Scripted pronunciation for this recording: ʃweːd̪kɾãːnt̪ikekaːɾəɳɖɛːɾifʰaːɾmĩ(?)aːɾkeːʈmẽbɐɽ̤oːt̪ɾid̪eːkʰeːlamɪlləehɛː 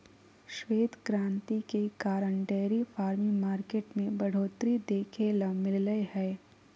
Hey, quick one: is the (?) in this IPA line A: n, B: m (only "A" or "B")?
B